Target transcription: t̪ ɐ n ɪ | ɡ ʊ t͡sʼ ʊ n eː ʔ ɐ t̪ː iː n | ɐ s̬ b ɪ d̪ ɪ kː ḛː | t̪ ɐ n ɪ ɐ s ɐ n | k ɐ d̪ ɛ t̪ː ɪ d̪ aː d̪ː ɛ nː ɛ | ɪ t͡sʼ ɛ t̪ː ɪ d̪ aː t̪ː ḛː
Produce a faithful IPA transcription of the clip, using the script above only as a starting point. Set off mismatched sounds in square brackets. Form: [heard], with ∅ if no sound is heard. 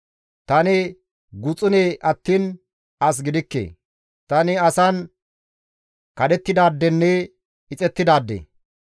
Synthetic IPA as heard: t̪ ɐ n ɪ | ɡ ʊ t͡sʼ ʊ n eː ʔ ɐ t̪ː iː n | ɐ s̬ [ɡ] ɪ d̪ ɪ kː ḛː | t̪ ɐ n ɪ ɐ s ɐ n | k ɐ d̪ ɛ t̪ː ɪ d̪ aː d̪ː ɛ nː ɛ | ɪ t͡sʼ ɛ t̪ː ɪ d̪ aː [d̪ː] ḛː